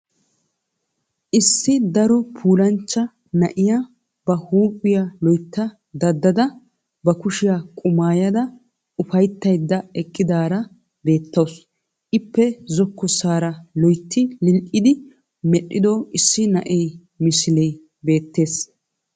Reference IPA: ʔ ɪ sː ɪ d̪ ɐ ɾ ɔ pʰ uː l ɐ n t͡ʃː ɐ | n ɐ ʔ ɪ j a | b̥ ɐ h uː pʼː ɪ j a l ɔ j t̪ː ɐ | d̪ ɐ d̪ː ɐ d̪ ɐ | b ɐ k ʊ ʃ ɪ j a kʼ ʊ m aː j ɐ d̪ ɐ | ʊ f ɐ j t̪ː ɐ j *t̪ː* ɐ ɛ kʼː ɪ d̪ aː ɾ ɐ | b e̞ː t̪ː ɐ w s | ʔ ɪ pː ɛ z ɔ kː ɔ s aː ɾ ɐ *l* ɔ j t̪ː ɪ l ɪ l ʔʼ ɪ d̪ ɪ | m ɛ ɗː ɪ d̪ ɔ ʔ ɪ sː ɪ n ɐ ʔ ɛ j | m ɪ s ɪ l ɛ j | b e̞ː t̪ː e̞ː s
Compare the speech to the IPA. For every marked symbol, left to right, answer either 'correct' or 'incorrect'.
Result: incorrect: d̪ː, correct

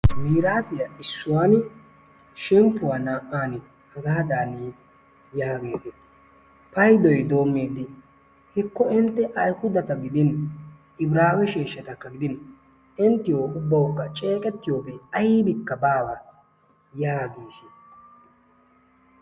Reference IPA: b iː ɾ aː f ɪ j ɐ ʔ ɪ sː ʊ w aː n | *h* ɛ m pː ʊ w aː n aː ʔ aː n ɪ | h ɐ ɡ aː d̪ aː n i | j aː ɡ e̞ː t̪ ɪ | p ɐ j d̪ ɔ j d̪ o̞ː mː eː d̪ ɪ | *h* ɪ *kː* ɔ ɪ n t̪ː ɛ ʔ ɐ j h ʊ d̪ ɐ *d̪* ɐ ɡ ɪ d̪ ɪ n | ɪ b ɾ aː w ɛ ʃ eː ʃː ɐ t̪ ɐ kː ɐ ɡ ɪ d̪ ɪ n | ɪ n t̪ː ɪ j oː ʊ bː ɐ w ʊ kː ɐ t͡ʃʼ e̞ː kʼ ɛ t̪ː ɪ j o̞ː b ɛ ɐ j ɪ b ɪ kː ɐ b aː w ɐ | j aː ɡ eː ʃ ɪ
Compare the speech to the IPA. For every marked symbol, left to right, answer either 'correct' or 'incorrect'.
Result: incorrect: ʃ, correct, correct, incorrect: t̪

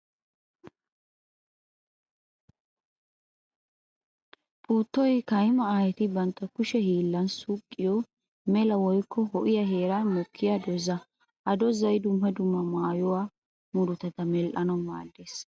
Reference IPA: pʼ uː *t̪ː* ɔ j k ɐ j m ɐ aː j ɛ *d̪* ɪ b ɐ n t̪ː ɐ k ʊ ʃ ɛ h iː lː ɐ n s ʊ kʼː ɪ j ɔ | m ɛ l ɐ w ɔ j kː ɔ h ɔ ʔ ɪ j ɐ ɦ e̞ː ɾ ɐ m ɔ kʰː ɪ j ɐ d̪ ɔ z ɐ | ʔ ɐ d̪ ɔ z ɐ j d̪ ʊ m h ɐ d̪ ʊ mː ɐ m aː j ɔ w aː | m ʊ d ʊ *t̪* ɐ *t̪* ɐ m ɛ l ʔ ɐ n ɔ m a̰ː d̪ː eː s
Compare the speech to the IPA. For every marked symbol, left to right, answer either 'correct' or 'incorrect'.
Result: correct, incorrect: t̪, correct, correct

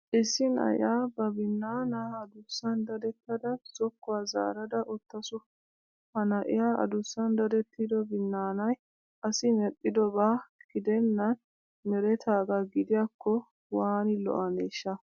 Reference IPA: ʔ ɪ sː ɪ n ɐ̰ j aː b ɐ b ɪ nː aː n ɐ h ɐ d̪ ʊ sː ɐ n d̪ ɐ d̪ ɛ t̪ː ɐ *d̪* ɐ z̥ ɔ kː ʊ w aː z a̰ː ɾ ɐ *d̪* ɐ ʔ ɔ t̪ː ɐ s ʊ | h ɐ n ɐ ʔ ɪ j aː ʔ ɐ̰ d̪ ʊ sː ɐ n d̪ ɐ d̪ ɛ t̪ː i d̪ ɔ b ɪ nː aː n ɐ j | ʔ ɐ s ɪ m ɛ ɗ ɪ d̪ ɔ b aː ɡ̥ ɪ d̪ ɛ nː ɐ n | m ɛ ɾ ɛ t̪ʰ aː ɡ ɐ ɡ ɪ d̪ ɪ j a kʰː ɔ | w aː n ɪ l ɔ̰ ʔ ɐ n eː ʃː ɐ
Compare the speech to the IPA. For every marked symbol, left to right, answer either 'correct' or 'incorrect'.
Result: correct, correct

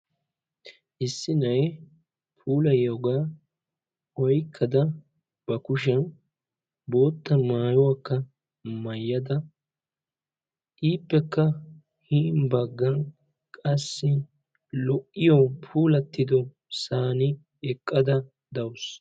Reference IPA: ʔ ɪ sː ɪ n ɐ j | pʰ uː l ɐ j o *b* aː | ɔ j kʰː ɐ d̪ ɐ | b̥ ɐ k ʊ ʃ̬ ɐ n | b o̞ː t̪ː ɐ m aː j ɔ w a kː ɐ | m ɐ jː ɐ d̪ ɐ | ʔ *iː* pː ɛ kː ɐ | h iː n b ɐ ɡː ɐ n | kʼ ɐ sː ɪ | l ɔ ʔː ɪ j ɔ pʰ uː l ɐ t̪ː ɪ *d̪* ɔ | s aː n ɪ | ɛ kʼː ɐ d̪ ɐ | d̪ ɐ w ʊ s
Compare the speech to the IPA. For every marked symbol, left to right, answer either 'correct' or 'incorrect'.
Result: incorrect: ɡ, correct, correct

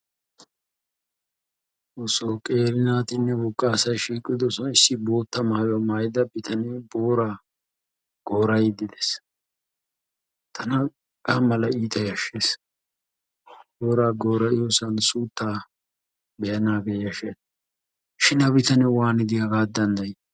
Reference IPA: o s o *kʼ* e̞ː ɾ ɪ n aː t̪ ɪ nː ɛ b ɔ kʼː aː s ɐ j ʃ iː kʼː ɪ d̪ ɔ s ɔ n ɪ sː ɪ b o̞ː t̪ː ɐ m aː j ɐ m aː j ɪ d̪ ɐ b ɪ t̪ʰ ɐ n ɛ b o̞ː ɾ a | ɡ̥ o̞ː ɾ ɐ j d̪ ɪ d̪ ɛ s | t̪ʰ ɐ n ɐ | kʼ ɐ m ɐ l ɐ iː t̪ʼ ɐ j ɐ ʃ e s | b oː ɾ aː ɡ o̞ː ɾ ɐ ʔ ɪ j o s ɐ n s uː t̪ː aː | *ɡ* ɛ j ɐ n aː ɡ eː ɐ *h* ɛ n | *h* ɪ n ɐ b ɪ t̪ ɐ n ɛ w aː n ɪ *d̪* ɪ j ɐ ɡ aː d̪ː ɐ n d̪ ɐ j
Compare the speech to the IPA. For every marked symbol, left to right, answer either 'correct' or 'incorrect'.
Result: correct, incorrect: b, incorrect: ʃ, incorrect: ʃ, correct

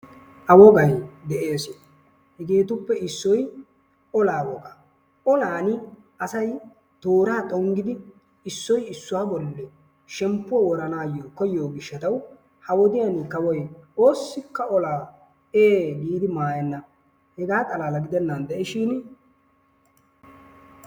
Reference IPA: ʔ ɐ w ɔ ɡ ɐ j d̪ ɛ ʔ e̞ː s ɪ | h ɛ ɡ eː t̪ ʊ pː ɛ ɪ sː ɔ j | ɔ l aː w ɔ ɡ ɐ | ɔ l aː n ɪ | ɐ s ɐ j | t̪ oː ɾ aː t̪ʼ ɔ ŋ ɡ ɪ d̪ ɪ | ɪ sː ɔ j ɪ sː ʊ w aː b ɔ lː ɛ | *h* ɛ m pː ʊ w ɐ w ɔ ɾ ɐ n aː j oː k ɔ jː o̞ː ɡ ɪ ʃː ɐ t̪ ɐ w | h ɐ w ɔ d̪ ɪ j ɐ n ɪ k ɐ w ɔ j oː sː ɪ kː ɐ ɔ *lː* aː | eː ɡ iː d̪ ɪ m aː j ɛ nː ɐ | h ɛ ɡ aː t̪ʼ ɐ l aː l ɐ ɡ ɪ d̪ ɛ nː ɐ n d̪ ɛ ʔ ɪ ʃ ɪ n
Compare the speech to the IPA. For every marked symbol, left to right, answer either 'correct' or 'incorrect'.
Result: incorrect: ʃ, incorrect: l

